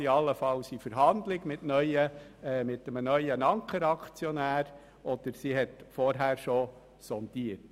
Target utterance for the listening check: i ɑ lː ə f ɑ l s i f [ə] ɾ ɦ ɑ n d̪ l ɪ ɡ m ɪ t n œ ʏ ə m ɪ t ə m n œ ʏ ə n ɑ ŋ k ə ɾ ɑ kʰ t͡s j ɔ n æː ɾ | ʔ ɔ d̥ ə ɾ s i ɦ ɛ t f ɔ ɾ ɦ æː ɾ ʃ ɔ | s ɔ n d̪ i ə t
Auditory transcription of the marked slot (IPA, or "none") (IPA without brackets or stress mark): ə